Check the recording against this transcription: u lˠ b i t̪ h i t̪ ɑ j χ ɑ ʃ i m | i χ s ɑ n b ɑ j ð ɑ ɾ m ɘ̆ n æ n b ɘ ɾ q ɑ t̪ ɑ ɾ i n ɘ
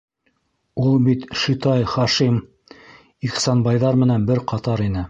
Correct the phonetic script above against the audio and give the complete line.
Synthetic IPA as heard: u lˠ b i t̪ ʃ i t̪ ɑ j χ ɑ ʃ i m | i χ s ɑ n b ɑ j ð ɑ ɾ m ɘ̆ n æ n b ɘ ɾ q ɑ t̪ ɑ ɾ i n ɘ